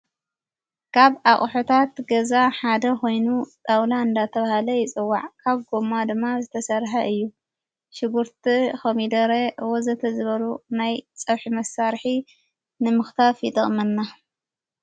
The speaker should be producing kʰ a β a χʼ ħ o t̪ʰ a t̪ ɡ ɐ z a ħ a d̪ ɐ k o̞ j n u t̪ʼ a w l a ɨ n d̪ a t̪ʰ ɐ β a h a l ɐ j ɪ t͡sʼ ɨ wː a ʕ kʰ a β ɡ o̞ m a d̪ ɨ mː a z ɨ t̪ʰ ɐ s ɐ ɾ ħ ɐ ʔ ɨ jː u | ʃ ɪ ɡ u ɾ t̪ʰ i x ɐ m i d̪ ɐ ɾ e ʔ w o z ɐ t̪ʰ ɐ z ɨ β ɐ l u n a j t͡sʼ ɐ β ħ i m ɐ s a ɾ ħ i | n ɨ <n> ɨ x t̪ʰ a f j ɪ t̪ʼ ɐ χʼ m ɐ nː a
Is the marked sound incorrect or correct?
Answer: incorrect: m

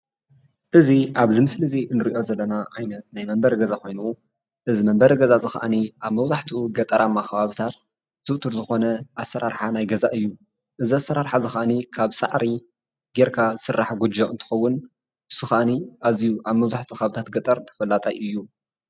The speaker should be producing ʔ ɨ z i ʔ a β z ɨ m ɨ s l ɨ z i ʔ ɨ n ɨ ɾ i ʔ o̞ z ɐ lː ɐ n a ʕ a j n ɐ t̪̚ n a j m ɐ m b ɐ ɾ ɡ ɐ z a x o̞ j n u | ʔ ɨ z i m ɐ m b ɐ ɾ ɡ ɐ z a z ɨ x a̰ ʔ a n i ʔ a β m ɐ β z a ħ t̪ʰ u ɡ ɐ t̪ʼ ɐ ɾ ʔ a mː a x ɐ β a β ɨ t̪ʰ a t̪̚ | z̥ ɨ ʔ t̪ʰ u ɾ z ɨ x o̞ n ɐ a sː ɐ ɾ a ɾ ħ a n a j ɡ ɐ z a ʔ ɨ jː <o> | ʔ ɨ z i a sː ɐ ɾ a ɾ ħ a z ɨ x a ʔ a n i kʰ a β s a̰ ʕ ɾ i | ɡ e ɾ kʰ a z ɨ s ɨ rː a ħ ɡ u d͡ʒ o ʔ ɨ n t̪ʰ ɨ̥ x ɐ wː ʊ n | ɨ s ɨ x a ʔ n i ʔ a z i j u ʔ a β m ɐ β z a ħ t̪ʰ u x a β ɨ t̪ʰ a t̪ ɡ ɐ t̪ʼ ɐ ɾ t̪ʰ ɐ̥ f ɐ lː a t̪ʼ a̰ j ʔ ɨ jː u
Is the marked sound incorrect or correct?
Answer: incorrect: u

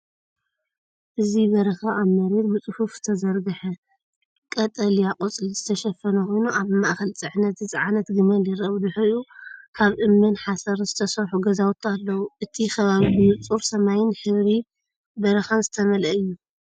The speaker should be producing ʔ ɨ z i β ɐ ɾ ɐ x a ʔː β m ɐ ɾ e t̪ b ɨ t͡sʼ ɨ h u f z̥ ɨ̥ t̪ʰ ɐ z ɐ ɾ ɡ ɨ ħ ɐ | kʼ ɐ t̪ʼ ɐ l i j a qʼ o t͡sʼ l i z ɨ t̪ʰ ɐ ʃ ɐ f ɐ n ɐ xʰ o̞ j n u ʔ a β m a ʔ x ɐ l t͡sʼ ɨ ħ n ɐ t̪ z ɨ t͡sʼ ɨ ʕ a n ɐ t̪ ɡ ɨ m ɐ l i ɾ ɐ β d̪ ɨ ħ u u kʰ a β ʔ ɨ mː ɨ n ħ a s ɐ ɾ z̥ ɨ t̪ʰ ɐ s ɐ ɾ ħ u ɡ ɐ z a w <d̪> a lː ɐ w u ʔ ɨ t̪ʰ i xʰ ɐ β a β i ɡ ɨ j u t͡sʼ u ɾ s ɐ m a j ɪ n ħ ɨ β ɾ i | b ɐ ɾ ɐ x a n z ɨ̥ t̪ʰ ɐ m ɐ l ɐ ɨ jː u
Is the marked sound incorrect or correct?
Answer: incorrect: t̪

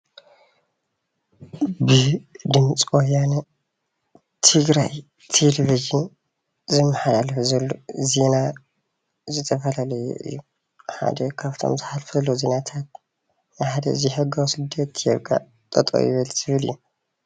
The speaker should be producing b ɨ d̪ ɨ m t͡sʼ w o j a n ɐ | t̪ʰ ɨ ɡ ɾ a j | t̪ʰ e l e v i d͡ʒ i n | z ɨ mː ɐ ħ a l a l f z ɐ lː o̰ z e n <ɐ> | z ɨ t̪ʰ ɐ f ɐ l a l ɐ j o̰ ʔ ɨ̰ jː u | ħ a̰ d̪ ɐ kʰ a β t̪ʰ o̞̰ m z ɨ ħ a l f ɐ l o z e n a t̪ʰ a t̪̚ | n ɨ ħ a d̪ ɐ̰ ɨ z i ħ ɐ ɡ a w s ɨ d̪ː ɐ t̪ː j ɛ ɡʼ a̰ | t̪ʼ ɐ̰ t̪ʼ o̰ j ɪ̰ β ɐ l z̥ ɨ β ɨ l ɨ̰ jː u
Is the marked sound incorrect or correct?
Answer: incorrect: a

